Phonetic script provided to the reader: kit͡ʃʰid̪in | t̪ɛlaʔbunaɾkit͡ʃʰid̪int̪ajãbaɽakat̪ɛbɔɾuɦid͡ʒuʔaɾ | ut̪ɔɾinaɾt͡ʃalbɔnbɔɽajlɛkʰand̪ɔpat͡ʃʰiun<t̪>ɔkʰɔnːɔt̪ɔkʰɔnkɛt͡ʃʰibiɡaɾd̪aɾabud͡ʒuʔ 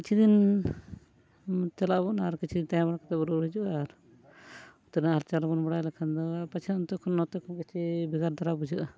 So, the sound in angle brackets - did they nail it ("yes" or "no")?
yes